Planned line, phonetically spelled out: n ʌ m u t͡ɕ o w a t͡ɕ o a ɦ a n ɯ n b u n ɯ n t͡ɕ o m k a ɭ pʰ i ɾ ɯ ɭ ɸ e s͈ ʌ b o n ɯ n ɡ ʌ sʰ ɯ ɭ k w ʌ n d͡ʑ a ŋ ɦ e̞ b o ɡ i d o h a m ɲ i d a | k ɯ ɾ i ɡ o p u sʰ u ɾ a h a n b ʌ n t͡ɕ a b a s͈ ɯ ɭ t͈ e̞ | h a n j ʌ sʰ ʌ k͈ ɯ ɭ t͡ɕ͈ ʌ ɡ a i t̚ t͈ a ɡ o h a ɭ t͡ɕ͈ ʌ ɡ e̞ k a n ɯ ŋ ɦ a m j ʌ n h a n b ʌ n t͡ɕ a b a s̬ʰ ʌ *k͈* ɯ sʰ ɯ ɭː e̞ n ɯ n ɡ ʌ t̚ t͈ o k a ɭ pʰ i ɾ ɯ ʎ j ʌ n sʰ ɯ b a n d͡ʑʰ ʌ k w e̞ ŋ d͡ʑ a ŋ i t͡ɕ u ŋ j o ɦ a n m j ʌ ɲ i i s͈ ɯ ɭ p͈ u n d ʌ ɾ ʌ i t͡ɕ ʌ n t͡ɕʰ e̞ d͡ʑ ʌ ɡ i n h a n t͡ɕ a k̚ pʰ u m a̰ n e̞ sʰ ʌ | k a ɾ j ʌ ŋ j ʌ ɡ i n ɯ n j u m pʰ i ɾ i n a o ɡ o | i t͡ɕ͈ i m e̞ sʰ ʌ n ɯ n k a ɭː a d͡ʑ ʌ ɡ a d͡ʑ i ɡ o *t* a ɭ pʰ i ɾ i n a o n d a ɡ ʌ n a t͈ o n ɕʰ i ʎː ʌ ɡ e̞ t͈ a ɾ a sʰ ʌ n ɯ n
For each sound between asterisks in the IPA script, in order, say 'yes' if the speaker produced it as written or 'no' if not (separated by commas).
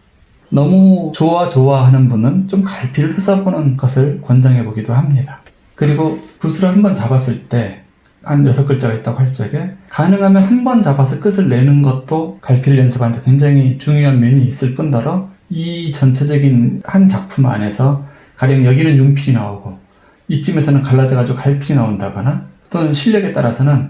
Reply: yes, no